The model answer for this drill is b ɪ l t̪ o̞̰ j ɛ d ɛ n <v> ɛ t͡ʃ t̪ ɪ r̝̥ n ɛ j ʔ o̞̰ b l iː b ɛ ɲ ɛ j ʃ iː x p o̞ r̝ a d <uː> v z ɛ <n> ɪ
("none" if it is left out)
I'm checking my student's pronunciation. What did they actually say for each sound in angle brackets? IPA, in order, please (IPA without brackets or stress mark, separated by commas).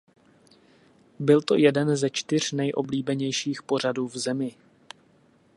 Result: z, uː, m